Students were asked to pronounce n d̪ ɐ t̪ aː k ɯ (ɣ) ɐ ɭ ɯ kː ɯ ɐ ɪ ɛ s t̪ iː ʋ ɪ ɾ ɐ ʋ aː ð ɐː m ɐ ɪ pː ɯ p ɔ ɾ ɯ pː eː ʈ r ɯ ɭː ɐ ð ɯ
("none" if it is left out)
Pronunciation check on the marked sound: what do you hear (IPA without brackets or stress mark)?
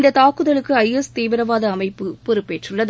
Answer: ð